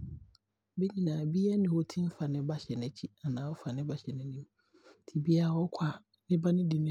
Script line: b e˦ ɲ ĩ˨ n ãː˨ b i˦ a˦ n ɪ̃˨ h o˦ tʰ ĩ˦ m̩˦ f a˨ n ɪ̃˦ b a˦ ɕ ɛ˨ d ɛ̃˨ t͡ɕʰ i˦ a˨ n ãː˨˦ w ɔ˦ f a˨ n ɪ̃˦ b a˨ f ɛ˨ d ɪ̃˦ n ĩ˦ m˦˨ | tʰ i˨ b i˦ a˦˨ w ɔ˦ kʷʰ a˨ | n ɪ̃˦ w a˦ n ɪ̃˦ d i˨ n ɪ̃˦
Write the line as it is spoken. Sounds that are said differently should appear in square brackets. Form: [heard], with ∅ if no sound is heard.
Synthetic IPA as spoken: b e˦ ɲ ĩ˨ n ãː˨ b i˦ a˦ n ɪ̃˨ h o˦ tʰ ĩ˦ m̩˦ f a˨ n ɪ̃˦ b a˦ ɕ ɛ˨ [n] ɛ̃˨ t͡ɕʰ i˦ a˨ n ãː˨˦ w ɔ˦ f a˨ n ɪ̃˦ b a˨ [ɕ] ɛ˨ [n] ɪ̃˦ n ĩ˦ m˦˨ | tʰ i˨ b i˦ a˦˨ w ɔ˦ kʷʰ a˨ | n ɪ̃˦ [b] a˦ n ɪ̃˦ d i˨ n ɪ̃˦